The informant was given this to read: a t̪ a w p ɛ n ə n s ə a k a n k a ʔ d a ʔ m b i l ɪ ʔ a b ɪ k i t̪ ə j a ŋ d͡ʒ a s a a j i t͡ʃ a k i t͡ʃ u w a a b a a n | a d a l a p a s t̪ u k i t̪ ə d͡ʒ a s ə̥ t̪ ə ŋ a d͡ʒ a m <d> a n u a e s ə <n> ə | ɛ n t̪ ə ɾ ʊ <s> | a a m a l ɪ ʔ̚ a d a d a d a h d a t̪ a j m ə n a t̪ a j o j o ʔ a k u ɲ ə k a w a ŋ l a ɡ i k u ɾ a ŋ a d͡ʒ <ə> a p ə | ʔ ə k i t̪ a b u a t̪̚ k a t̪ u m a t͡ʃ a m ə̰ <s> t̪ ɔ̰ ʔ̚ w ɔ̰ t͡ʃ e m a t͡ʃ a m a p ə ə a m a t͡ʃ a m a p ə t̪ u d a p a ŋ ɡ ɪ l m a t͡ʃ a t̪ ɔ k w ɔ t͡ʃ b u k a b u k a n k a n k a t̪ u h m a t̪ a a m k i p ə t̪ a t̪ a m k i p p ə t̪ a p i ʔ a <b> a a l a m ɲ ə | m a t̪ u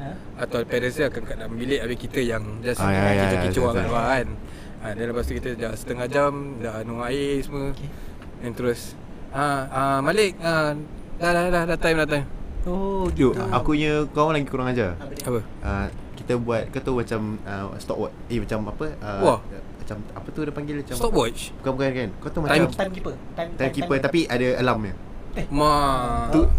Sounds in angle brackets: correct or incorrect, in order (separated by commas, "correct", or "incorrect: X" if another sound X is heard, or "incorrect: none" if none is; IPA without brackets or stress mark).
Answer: correct, incorrect: m, correct, incorrect: a, correct, incorrect: d